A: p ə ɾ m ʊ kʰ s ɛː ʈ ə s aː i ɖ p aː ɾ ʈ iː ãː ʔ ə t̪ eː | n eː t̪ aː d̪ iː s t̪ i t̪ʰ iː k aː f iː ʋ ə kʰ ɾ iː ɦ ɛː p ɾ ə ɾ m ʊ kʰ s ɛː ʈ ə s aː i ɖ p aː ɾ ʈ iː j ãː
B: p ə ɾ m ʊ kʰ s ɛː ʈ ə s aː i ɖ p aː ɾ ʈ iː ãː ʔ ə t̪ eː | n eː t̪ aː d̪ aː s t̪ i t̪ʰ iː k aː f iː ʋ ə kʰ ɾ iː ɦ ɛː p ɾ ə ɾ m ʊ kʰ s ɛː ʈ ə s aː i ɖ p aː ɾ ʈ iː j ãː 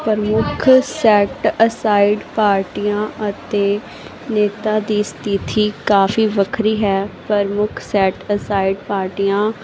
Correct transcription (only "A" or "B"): A